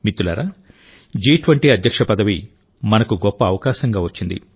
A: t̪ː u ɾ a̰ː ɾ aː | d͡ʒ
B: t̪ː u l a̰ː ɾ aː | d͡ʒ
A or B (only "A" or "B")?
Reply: B